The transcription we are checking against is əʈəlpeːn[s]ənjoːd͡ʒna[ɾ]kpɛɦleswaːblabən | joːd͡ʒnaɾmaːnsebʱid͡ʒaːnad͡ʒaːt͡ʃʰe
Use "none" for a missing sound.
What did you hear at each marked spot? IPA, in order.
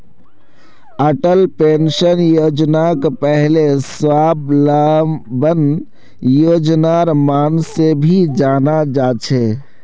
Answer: ʃ, none

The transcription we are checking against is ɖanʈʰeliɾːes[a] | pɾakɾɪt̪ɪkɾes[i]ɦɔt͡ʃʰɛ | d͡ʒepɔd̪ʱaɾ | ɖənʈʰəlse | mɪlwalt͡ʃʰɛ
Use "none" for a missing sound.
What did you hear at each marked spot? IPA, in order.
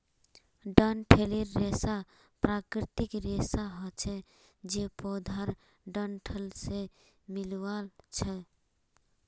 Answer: a, a

